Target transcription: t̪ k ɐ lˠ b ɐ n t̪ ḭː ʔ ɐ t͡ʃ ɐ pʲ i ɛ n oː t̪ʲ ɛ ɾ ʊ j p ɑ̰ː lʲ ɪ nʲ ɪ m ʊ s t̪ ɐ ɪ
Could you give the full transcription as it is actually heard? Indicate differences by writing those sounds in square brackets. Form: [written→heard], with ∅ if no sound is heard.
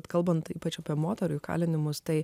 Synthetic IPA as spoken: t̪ k ɐ lˠ b ɐ n t̪ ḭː [ʔ→p] ɐ t͡ʃ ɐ pʲ i ɛ [n→m] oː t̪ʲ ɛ ɾ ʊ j [p→k] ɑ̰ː lʲ ɪ nʲ ɪ m ʊ s t̪ ɐ ɪ